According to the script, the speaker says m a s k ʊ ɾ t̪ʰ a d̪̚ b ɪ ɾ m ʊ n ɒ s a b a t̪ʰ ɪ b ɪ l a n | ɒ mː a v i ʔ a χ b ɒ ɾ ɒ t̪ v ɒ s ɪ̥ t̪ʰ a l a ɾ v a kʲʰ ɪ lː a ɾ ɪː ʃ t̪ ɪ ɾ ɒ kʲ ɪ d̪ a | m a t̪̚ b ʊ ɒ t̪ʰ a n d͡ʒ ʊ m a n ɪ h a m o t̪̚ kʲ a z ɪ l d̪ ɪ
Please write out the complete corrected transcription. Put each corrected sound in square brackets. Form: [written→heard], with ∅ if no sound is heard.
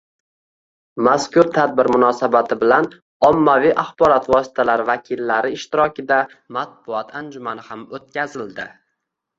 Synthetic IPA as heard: m a s k ʊ ɾ t̪ʰ a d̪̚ b ɪ ɾ m ʊ n ɒ s a b a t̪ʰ ɪ b ɪ l a n | ɒ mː a v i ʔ a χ b ɒ ɾ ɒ t̪ v ɒ s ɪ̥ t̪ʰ a l a ɾ v a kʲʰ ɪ lː a ɾ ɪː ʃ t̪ ɪ ɾ ɒ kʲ ɪ d̪ a | m a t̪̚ b ʊ ɒ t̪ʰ a n d͡ʒ ʊ m a n ɪ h a m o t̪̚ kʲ a z ɪ l d̪ ɪ

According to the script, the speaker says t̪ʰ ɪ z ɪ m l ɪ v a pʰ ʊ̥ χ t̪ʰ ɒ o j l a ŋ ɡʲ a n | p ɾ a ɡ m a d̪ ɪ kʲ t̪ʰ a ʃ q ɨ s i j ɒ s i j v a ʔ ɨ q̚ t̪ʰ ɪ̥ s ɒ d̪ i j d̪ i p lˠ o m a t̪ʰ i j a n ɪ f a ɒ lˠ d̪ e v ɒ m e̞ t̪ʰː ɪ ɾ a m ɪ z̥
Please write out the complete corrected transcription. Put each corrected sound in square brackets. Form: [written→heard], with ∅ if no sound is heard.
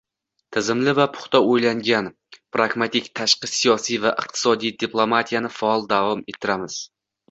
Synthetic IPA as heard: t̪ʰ ɪ z ɪ m l ɪ v a pʰ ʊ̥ χ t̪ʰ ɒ o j l a ŋ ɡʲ a n | p ɾ a ɡ m a [d̪→t̪] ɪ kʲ t̪ʰ a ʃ q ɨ s i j ɒ s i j v a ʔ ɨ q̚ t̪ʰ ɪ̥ s ɒ d̪ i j d̪ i p lˠ o m a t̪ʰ i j a n ɪ f a ɒ lˠ d̪ [e→a] v ɒ m e̞ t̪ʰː ɪ ɾ a m ɪ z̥

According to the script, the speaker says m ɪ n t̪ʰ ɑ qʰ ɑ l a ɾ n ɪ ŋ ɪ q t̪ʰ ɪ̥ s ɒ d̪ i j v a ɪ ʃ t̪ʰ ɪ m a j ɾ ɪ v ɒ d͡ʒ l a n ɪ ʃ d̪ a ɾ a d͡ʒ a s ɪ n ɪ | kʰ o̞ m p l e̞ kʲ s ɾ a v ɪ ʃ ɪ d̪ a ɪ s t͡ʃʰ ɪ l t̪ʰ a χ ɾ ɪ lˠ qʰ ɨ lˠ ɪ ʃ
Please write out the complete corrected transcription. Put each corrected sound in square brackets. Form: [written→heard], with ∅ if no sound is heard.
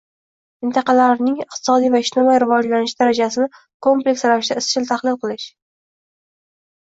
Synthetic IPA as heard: m ɪ n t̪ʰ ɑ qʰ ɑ l a ɾ n ɪ ŋ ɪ q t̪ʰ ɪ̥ s ɒ d̪ i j v a ɪ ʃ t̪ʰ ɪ m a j ɾ ɪ v ɒ d͡ʒ l a n ɪ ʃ d̪ a ɾ a d͡ʒ a s ɪ n ɪ | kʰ o̞ m p l e̞ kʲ s ɾ a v ɪ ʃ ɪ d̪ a ɪ s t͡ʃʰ ɪ l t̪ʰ a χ [ɾ→l] ɪ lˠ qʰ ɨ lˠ ɪ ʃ

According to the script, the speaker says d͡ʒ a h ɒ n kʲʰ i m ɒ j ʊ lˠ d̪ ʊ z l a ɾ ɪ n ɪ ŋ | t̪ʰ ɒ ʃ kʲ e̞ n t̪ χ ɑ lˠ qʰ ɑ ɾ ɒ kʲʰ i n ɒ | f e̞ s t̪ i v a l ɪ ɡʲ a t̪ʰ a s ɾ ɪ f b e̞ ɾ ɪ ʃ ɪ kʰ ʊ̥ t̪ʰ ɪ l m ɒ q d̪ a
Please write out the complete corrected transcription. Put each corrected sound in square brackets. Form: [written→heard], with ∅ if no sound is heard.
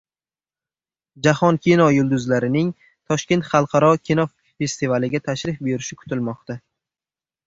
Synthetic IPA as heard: d͡ʒ a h ɒ n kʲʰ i [m→n] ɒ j ʊ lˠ d̪ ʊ z l a ɾ ɪ n ɪ ŋ | t̪ʰ ɒ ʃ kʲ e̞ n t̪ χ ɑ lˠ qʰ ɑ ɾ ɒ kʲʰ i n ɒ | f e̞ s t̪ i v a l ɪ ɡʲ a t̪ʰ a [s→ʃ] ɾ ɪ f b e̞ ɾ ɪ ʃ ɪ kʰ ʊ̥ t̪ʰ ɪ l m ɒ q [d̪→t̪] a

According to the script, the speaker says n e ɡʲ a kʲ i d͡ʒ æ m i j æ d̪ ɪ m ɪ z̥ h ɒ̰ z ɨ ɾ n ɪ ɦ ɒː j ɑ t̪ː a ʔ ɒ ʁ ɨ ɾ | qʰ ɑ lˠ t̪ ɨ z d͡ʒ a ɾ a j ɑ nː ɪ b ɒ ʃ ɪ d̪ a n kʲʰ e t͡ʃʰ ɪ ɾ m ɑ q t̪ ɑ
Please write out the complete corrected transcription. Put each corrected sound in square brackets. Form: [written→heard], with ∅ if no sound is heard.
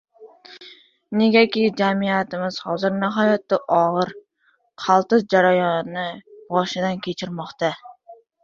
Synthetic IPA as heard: n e ɡʲ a kʲ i d͡ʒ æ m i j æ [d̪→t̪] ɪ m ɪ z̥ h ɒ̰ z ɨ ɾ n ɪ ɦ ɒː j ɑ t̪ː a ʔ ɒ ʁ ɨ ɾ | qʰ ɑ lˠ t̪ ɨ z d͡ʒ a ɾ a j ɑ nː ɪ b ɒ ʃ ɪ d̪ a n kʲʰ e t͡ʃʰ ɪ ɾ m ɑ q t̪ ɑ

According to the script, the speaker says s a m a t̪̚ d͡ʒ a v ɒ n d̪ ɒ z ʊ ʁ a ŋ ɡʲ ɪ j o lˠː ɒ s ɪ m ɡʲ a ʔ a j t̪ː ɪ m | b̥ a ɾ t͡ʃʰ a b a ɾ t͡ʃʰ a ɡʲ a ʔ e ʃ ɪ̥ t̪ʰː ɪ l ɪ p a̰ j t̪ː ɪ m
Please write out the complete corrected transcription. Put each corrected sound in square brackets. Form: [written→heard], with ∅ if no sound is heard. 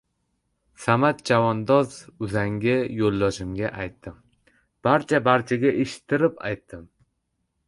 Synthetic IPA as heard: s a m a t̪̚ d͡ʒ a v ɒ n d̪ ɒ z ʊ [ʁ→z] a ŋ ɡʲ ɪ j o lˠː ɒ [s→ʃ] ɪ m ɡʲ a ʔ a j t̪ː ɪ m | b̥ a ɾ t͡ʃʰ a b a ɾ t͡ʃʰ a ɡʲ a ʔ e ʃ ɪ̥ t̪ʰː ɪ [l→ɾ] ɪ p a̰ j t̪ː ɪ m

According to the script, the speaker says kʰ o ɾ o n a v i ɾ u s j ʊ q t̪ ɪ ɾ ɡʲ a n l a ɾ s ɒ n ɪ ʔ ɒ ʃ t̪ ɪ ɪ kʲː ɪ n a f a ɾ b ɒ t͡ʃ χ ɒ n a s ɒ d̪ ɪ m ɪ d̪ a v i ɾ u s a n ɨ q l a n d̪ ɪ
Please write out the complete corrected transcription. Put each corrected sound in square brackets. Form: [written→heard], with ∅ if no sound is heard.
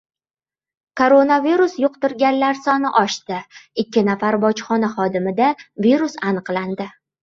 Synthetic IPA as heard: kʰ o ɾ o n a v i ɾ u s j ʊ q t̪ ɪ ɾ ɡʲ a n l a ɾ s ɒ n ɪ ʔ ɒ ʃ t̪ ɪ ɪ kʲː ɪ n a f a ɾ b ɒ t͡ʃ χ ɒ n a [s→χ] ɒ d̪ ɪ m ɪ d̪ a v i ɾ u s a n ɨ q l a n d̪ ɪ

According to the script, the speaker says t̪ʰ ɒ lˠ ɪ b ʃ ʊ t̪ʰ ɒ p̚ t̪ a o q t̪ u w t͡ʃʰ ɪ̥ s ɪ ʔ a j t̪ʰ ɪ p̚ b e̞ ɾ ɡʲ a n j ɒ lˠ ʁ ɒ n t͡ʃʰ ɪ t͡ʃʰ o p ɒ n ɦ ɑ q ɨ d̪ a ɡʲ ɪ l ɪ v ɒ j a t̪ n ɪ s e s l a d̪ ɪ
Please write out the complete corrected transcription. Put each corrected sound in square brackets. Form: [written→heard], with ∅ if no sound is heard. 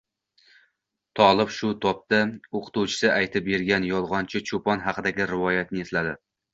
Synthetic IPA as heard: t̪ʰ ɒ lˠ ɪ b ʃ ʊ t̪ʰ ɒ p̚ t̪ a o q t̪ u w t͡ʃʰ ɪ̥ s ɪ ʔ a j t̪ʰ ɪ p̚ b e̞ ɾ ɡʲ a n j ɒ lˠ ʁ ɒ n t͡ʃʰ ɪ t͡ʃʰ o p ɒ n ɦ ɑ q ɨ d̪ a ɡʲ ɪ [l→ɾ] ɪ v ɒ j a t̪ n ɪ [s→∅] e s l a d̪ ɪ

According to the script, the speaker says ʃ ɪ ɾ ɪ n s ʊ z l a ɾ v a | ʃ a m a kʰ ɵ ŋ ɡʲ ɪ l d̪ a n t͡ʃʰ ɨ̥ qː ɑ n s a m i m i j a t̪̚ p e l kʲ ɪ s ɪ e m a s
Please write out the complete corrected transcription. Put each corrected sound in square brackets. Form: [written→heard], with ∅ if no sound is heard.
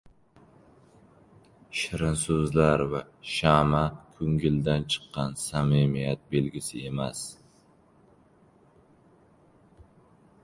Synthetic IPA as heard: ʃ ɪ ɾ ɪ n s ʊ z l a ɾ v a | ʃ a m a kʰ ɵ ŋ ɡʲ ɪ l d̪ a n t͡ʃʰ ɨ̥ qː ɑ n s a m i m i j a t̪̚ [p→b] e l [kʲ→ɡʲ] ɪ s ɪ e m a s

